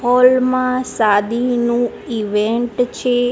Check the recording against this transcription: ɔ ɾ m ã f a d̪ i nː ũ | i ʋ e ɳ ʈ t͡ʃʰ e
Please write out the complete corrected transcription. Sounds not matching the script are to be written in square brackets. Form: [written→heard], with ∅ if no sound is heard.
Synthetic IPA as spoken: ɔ [ɾ→l] m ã [f→s] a d̪ i [nː→n] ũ | i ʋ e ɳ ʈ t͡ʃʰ e

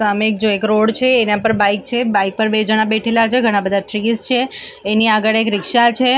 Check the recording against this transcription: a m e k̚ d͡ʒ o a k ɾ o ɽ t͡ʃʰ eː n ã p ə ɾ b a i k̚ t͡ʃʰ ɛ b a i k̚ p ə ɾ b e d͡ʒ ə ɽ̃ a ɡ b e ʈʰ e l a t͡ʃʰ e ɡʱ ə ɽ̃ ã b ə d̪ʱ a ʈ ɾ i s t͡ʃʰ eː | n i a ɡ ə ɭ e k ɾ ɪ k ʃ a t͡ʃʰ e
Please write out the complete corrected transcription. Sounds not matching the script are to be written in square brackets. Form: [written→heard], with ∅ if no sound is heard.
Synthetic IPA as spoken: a m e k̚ d͡ʒ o [a→e] k ɾ o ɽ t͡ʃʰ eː n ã p ə ɾ b a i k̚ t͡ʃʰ [ɛ→e] b a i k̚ p ə ɾ b e d͡ʒ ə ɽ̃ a [ɡ→∅] b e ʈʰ e l a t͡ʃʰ e ɡʱ ə ɽ̃ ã b ə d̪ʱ a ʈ ɾ i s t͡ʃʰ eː | n i a ɡ ə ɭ e k ɾ ɪ k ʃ a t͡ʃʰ e

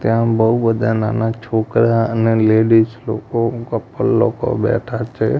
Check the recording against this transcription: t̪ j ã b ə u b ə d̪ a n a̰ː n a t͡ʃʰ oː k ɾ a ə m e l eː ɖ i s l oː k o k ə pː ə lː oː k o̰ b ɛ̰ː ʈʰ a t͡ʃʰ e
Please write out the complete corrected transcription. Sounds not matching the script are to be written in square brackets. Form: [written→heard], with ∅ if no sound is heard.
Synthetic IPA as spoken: t̪ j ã b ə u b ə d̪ a n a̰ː n a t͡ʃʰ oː k ɾ a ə [m→n] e l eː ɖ i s l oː k o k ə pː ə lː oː k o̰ b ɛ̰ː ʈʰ a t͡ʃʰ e

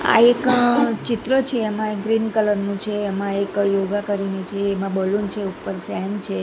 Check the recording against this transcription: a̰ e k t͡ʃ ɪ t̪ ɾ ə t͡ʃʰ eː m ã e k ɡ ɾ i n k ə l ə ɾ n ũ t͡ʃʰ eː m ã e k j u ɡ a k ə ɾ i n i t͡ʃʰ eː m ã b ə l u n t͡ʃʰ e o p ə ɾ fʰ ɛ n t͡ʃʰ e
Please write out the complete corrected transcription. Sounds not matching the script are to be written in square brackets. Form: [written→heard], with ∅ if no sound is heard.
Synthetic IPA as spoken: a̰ e k t͡ʃ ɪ t̪ ɾ ə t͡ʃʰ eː m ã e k ɡ ɾ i n k ə l ə ɾ n ũ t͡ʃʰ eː m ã e k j [u→o] ɡ a k ə ɾ i n i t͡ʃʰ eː m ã b ə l u n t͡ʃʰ e [o→u] p ə ɾ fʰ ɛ n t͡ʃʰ e

